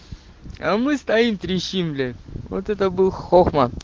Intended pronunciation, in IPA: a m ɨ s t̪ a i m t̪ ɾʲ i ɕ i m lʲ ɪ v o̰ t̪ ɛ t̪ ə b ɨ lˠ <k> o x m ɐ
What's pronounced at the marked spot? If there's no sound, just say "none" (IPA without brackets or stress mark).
x